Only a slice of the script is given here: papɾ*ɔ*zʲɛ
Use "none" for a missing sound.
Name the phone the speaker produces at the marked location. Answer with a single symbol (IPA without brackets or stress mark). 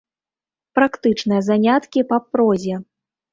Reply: ɔ